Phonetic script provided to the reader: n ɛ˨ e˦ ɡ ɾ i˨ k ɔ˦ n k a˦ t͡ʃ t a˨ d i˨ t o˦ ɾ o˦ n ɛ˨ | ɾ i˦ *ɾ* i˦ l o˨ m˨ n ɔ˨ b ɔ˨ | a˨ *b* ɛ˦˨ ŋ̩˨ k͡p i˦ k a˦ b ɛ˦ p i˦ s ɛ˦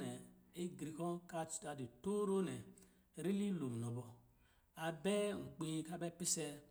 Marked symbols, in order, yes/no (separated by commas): no, yes